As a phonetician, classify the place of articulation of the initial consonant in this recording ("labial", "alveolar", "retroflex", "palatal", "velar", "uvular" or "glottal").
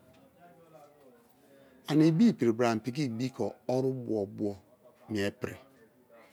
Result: alveolar